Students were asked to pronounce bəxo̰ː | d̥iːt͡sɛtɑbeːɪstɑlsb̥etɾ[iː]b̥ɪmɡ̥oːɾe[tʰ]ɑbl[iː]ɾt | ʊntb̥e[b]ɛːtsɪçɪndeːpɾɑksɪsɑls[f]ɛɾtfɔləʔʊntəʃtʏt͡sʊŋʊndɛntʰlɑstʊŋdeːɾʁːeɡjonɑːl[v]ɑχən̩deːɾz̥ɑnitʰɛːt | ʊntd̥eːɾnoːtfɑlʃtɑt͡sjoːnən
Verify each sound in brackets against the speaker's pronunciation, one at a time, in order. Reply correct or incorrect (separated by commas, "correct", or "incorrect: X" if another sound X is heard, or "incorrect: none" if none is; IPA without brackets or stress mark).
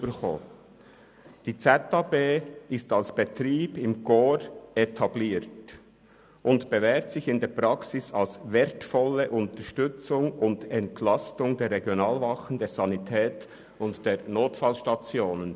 correct, correct, correct, incorrect: v, incorrect: v, correct